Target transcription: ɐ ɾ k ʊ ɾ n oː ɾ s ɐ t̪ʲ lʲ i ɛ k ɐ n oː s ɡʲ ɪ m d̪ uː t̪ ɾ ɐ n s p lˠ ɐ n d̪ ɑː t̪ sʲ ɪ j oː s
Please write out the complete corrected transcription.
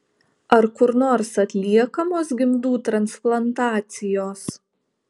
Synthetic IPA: ɐ ɾ k ʊ ɾ n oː ɾ s ɐ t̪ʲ lʲ i ɛ k ɐ m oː s ɡʲ ɪ m d̪ uː t̪ ɾ ɐ n s p lˠ ɐ n t̪ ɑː t̪ sʲ ɪ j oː s